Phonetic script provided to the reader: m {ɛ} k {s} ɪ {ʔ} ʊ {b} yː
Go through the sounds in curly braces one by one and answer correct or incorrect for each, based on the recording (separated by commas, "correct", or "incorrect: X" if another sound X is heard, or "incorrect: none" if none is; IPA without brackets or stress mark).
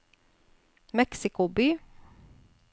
correct, correct, incorrect: k, correct